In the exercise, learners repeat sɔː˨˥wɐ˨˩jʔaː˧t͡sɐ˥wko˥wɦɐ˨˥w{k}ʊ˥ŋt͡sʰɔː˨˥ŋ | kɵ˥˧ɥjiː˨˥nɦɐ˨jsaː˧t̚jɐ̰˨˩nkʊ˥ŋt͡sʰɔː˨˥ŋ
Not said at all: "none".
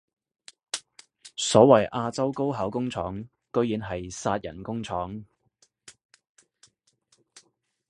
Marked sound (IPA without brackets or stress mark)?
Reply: k